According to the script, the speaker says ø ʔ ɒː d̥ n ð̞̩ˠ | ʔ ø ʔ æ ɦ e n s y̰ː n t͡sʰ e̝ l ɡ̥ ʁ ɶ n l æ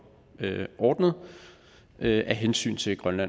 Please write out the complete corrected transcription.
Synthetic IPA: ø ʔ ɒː d̥ n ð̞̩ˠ | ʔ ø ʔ æ ɦ e n s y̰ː n t͡sʰ e̝ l ɡ̥ ʁ ɶ n l æ